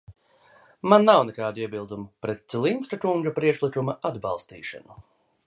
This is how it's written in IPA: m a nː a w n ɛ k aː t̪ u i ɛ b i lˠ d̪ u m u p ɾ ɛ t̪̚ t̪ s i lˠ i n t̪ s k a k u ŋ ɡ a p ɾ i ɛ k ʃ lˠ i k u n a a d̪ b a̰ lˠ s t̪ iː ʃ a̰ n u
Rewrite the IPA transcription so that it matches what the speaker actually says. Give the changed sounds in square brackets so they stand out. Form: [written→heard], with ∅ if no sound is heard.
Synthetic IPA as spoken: m a nː a w n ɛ k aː [t̪→d̪] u i ɛ b i lˠ d̪ u m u p ɾ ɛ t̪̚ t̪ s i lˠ i n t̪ s k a k u ŋ ɡ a p ɾ i ɛ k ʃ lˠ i k u [n→m] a a d̪ b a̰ lˠ s t̪ iː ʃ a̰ n u

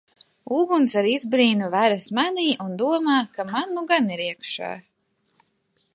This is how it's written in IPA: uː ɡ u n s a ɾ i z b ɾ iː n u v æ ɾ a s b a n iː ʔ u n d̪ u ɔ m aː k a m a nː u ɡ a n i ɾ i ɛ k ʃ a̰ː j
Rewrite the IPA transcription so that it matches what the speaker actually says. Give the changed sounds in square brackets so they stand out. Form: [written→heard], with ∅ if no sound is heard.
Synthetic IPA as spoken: uː ɡ u n s a ɾ i z b ɾ iː n u v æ ɾ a s [b→m] a n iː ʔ u n d̪ u ɔ m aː k a m a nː u ɡ a n i ɾ i ɛ k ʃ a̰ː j

